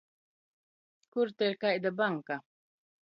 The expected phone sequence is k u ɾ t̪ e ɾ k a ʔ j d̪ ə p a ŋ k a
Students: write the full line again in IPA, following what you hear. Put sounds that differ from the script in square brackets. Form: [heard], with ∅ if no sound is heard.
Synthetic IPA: k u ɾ t̪ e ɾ k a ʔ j d̪ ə [b] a ŋ k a